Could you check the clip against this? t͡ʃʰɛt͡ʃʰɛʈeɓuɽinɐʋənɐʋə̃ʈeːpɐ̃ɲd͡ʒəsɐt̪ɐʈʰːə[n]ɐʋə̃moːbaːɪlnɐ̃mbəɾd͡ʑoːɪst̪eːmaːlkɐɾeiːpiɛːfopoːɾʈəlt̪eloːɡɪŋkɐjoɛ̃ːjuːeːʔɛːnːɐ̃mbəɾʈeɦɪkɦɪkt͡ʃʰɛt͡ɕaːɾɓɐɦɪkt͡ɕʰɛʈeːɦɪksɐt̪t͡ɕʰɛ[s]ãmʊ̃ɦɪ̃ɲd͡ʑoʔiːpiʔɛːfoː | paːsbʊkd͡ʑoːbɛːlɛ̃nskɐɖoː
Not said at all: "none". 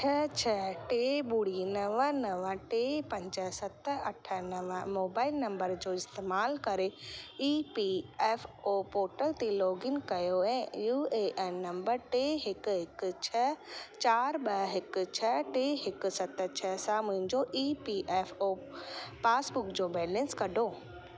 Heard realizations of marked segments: n, s

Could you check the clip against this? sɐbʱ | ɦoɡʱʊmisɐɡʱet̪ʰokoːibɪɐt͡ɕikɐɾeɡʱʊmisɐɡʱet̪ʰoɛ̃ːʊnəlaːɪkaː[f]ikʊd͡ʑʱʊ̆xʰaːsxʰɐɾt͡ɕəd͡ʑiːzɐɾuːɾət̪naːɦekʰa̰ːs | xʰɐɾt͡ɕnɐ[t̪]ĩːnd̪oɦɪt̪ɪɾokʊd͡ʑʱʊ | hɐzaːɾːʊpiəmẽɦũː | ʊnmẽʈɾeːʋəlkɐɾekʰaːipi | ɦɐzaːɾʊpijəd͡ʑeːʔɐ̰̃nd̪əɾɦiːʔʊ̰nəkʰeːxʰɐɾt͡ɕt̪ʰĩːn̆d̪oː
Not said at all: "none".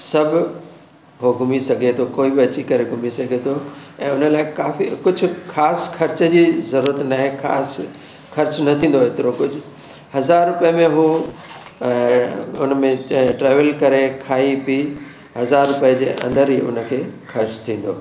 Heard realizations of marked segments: f, t̪ʰ

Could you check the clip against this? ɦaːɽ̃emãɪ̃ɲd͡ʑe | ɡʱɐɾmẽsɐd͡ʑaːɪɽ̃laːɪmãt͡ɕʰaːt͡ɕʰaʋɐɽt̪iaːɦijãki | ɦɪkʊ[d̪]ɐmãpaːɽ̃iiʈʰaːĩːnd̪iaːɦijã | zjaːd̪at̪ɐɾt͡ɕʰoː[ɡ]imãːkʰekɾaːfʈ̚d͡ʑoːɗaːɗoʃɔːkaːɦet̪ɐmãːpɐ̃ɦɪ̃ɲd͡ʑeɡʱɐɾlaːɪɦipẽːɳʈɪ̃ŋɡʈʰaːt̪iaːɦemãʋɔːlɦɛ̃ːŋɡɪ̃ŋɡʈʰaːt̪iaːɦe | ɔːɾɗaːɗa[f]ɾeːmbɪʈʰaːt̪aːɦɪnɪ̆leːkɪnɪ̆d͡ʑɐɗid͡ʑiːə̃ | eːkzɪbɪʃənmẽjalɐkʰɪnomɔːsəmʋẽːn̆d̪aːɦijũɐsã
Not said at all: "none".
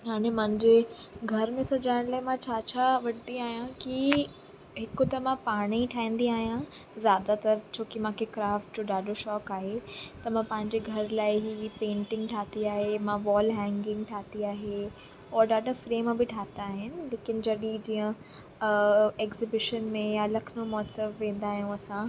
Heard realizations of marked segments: t̪, k, f

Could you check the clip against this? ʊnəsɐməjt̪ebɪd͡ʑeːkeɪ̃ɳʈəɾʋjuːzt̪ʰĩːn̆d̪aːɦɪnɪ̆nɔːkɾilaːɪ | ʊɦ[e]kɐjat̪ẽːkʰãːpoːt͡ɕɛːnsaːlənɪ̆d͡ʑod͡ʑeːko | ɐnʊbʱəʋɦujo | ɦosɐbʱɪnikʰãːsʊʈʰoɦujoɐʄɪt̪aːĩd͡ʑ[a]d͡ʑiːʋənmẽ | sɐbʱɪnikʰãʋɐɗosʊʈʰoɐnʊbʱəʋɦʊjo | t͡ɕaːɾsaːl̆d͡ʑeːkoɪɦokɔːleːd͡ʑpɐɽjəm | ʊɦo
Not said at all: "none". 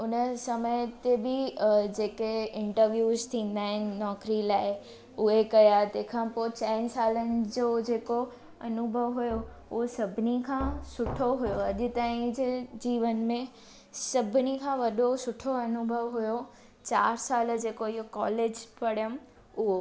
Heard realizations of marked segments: e, e

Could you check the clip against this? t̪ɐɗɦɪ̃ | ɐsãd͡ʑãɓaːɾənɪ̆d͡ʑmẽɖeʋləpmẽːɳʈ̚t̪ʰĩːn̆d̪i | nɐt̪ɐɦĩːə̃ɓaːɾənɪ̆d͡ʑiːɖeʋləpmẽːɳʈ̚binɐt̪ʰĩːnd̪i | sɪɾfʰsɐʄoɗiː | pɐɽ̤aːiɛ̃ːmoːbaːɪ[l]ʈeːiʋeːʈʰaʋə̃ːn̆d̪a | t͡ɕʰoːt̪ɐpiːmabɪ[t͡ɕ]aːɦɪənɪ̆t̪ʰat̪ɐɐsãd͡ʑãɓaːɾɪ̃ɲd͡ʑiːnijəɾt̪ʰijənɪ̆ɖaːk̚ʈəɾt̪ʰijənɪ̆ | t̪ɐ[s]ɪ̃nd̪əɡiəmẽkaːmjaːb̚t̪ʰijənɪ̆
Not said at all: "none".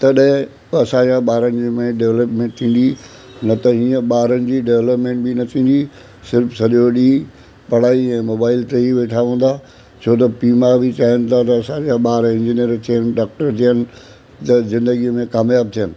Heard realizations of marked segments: l, t͡ɕ, z

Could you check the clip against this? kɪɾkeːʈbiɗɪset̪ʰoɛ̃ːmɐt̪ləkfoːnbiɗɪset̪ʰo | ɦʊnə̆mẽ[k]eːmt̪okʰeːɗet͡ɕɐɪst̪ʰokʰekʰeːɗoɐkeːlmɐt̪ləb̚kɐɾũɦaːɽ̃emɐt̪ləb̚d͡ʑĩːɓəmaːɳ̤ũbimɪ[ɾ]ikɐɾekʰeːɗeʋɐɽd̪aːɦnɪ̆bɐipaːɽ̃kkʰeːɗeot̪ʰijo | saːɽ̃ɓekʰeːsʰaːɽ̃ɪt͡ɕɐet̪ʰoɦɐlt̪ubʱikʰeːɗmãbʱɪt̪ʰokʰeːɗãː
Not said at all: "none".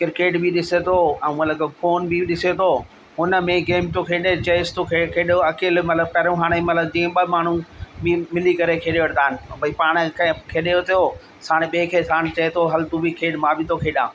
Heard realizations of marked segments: ɡ, l

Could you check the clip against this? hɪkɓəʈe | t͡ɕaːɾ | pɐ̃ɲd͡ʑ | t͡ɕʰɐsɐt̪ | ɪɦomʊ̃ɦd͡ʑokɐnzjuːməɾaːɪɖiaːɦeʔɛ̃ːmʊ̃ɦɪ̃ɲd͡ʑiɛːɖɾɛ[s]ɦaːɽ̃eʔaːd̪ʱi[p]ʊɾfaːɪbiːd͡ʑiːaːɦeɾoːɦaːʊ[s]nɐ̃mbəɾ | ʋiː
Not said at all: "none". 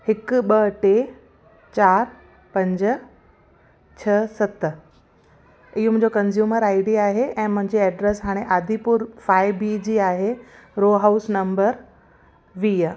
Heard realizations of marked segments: s, p, s

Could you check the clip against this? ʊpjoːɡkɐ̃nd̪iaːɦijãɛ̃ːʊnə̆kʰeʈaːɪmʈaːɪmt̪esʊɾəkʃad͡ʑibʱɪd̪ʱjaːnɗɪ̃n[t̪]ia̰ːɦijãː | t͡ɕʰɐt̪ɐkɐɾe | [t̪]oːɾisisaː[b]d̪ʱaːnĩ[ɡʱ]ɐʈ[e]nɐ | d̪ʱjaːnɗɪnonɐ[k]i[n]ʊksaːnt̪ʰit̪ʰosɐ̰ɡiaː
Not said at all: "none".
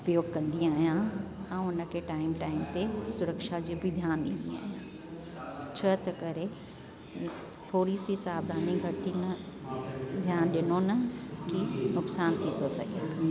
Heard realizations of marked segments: d̪, t̪ʰ, b, ɡʱ, i, k, n

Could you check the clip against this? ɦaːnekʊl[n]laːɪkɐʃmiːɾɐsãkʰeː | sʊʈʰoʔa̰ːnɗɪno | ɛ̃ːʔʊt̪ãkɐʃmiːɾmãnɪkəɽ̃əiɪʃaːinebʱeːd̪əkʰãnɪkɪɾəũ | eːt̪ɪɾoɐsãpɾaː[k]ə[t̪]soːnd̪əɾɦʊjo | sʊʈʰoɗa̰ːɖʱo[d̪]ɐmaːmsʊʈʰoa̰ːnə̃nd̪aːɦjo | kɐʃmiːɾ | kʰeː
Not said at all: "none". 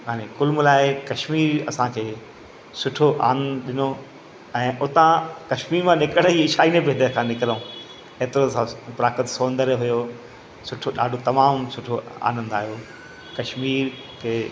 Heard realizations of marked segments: m, k, t̪, t̪

